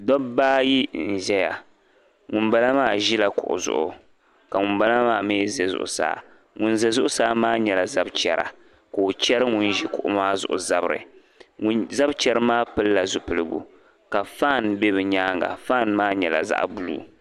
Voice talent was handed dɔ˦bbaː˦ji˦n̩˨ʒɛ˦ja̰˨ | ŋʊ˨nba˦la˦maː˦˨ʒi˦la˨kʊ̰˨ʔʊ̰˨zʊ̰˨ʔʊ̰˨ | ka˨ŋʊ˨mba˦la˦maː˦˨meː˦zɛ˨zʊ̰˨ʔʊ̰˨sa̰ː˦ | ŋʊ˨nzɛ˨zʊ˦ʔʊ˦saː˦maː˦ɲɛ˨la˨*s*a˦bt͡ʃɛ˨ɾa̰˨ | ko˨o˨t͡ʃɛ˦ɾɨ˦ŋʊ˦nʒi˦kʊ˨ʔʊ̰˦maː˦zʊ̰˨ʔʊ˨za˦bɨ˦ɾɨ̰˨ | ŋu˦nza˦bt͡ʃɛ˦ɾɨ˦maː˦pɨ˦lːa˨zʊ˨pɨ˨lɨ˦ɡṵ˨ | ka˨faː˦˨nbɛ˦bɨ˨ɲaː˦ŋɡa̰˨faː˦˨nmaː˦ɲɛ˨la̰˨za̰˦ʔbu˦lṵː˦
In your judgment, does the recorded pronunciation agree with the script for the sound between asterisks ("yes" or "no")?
no